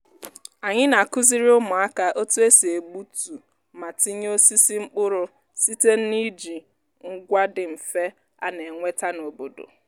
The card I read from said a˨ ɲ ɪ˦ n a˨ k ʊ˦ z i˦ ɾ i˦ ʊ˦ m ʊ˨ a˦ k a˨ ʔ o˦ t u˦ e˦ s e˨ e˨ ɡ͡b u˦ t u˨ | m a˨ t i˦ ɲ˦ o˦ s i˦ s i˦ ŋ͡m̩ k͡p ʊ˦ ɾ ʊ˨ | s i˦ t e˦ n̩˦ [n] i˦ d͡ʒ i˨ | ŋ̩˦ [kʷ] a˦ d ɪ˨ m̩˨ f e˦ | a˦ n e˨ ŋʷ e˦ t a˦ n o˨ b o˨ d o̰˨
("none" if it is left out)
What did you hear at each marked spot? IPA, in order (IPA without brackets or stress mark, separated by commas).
n, ɡʷ